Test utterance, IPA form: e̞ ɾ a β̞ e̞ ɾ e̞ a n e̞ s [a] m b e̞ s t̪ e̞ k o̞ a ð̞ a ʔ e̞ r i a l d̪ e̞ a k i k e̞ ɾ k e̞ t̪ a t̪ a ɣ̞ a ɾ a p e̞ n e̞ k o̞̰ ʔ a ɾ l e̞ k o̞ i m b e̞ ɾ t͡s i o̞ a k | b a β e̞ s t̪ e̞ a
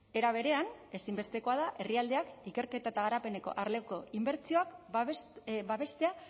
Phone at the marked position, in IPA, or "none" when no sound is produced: i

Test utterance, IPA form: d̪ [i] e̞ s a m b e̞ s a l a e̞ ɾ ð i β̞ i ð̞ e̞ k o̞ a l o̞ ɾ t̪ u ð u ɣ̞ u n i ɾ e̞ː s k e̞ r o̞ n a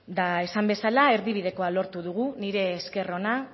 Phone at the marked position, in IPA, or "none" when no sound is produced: a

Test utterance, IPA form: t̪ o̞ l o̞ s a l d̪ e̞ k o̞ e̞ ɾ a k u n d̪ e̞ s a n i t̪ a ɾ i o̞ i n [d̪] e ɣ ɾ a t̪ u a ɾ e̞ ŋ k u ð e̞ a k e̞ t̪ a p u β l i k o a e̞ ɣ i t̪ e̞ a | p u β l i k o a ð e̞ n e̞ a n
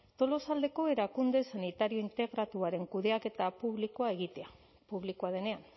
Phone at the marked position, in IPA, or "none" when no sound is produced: t̪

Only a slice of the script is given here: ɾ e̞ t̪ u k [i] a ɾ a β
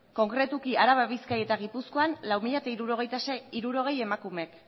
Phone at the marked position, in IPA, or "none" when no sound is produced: i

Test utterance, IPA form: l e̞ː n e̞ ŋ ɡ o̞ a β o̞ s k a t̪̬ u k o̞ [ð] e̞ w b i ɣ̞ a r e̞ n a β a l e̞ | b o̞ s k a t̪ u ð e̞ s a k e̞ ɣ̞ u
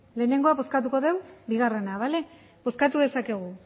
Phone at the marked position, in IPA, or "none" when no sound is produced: ð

